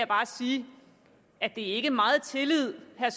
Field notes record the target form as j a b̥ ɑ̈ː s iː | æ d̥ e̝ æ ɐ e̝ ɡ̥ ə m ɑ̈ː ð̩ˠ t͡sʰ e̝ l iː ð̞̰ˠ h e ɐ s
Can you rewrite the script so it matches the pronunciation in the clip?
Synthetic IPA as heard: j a b̥ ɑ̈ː s iː | æ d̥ e̝ æ ɐ e̝ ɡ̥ ə m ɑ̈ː ð̩ˠ t͡sʰ e̝ l i ð̞̰ˠ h æ ɐ s